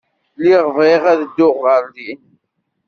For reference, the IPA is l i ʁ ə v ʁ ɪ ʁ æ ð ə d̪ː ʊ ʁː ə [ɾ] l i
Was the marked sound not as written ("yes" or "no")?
no